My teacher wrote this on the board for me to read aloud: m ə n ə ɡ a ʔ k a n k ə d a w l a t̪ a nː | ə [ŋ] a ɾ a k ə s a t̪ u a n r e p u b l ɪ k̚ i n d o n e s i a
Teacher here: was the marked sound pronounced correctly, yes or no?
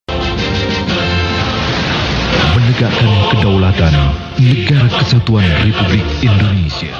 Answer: no